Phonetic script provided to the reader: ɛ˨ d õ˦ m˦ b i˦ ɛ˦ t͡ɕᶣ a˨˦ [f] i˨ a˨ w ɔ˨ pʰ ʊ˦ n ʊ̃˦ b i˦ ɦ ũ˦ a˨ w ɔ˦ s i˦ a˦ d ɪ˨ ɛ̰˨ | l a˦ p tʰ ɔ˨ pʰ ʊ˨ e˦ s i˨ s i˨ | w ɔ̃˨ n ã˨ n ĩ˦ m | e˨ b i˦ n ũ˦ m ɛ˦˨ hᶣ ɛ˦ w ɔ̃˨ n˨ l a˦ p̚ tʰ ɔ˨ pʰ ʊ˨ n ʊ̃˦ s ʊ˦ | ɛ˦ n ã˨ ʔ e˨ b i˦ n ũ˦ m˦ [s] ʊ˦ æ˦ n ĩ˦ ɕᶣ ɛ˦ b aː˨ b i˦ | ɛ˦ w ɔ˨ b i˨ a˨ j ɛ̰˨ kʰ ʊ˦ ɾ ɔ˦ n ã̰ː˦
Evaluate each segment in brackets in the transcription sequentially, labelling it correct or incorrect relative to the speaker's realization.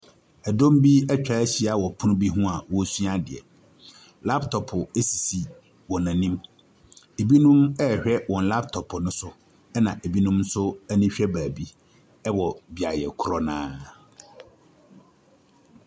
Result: incorrect: ɕ, correct

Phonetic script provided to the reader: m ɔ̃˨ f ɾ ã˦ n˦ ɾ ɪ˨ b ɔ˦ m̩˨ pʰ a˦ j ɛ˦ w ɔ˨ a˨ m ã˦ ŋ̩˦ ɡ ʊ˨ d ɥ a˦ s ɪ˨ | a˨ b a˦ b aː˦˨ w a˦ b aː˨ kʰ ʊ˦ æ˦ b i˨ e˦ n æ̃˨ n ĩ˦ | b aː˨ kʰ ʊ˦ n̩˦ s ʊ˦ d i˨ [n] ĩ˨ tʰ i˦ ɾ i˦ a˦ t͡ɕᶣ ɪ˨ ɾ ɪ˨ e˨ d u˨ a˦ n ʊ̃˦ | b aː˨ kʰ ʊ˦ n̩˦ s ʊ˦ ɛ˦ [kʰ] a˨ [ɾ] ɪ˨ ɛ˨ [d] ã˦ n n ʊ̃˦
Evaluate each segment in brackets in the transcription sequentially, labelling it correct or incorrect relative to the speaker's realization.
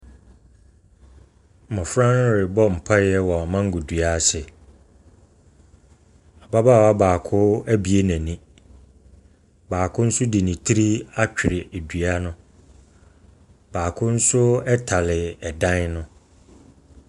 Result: correct, incorrect: tʰ, incorrect: l, correct

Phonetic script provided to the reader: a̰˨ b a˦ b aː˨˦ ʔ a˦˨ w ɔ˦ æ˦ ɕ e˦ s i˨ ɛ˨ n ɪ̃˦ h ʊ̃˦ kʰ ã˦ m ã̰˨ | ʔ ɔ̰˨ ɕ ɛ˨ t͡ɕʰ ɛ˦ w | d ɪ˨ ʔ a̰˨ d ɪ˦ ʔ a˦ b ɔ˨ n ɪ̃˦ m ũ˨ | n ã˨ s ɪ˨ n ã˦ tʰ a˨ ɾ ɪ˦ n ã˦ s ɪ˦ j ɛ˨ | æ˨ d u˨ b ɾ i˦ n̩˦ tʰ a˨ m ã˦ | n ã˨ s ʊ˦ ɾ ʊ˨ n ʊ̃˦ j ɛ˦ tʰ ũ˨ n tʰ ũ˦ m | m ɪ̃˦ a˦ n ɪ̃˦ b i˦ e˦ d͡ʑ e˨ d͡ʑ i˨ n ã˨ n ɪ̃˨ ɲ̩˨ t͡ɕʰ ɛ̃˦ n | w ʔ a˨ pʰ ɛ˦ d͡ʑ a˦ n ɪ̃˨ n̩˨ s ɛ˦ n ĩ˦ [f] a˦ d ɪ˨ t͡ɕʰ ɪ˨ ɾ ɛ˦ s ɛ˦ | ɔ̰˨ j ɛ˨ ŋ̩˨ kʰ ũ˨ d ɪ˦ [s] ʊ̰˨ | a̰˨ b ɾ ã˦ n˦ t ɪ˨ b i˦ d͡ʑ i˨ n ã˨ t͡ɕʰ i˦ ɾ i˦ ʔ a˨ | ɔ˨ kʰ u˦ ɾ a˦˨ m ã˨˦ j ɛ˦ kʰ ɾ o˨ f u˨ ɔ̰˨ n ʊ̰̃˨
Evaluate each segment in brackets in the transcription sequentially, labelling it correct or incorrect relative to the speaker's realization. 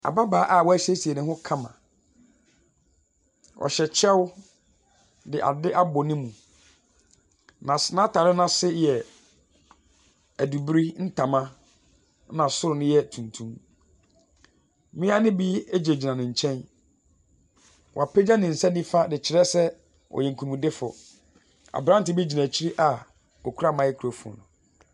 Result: correct, incorrect: f

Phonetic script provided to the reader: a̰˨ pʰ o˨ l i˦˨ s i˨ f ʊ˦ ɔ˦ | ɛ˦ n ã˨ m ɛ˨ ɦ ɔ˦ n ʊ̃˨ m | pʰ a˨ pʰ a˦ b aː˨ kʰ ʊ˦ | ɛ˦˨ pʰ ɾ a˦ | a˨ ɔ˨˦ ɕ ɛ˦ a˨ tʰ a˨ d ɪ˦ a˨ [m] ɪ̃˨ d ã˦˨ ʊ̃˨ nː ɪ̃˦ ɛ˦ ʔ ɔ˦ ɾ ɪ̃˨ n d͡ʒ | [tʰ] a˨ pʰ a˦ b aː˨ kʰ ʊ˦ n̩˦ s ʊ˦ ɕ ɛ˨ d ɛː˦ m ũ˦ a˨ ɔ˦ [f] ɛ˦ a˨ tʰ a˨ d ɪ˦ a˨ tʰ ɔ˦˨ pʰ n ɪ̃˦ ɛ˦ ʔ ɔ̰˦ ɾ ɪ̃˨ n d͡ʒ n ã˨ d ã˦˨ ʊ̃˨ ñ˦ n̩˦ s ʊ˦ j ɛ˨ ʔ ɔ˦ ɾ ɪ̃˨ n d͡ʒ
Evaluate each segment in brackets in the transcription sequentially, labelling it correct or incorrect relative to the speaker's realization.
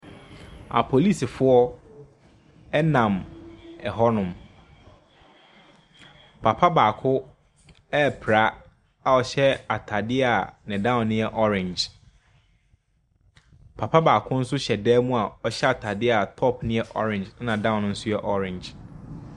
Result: incorrect: n, incorrect: pʰ, incorrect: ɕ

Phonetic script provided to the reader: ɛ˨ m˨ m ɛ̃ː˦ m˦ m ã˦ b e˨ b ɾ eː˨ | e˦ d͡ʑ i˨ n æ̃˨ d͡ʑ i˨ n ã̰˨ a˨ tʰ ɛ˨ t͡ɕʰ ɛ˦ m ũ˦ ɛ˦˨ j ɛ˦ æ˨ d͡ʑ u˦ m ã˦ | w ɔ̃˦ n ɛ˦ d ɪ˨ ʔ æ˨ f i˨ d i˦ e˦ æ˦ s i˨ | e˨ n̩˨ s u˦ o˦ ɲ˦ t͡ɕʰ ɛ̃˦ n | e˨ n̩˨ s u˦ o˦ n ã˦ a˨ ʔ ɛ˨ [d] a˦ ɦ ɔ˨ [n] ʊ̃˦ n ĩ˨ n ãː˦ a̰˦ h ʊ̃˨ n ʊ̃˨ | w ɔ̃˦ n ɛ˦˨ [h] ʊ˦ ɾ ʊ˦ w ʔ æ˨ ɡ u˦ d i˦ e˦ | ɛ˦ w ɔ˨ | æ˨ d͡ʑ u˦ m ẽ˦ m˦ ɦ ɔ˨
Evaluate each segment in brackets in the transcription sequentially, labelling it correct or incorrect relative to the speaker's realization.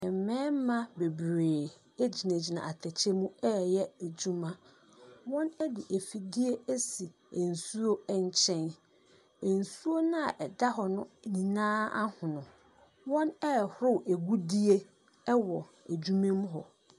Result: correct, correct, correct

